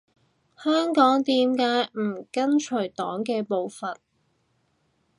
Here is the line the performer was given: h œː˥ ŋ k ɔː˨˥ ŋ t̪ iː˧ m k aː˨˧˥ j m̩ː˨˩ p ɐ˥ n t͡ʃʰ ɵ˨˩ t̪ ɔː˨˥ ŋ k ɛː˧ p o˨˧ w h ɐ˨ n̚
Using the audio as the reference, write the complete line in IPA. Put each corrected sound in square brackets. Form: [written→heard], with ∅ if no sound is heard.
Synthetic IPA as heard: h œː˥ ŋ k ɔː˨˥ ŋ t̪ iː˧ m k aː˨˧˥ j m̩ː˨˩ [p→k] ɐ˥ n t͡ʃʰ ɵ˨˩ t̪ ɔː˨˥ ŋ k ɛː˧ p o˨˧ w [h→f] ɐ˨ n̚